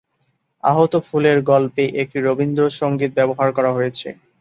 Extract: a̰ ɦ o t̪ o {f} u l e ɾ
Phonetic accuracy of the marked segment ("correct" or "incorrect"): correct